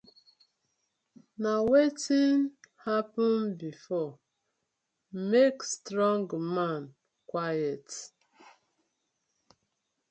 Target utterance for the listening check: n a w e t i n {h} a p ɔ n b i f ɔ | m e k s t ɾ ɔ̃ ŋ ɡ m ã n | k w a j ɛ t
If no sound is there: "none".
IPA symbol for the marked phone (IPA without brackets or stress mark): h